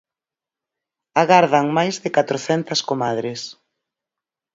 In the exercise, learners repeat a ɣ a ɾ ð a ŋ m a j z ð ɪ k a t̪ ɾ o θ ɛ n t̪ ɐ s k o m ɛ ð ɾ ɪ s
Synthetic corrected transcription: a ɣ a ɾ ð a ŋ m a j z ð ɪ k a t̪ ɾ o θ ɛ n t̪ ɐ s k o m a ð ɾ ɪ s